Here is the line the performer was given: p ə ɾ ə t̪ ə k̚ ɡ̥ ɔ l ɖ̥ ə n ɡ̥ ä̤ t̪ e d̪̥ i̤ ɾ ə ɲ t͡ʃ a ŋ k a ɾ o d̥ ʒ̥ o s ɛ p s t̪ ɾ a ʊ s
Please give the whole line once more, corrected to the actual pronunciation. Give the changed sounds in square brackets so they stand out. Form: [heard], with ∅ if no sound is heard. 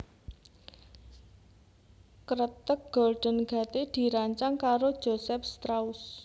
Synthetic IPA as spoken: [k] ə ɾ ə t̪ ə k̚ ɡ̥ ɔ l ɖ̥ ə n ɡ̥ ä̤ t̪ e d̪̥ i̤ ɾ [a] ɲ t͡ʃ a ŋ k a ɾ o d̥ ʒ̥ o s ɛ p s t̪ ɾ a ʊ s